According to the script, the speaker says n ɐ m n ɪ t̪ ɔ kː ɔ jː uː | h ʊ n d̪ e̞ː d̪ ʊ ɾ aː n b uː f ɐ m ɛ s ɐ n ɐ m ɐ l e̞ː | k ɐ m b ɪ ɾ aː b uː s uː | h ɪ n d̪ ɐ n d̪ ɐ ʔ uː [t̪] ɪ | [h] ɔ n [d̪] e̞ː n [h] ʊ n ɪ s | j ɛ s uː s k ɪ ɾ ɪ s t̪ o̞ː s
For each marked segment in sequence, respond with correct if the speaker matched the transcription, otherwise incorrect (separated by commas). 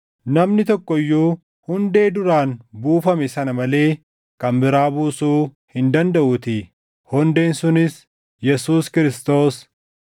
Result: correct, correct, correct, incorrect